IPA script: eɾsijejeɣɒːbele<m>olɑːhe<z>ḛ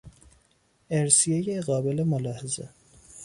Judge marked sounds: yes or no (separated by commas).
yes, yes